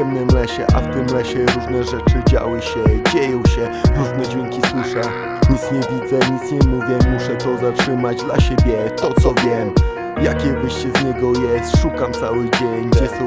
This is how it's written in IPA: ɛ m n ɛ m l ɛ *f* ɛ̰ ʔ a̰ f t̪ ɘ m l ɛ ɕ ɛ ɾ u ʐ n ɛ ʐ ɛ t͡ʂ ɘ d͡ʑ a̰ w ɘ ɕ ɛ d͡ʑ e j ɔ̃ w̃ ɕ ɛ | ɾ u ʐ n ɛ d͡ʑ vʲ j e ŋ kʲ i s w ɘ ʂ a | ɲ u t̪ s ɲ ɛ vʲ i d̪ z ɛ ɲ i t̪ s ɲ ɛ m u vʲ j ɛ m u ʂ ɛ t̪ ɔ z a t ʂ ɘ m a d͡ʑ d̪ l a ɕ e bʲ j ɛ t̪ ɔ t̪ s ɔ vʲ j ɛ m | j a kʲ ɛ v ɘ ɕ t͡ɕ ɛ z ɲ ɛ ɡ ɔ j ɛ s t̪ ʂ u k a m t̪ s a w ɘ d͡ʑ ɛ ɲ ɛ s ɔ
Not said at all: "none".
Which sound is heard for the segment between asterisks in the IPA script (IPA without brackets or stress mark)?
ɕ